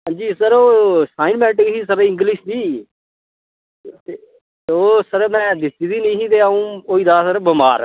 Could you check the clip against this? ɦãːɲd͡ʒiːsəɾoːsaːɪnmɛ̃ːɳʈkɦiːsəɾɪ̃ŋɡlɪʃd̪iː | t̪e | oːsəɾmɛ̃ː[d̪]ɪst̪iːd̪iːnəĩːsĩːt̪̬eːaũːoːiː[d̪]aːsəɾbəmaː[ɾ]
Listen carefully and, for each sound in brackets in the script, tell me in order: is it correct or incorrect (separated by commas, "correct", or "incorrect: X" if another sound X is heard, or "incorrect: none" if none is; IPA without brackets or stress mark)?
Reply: correct, correct, correct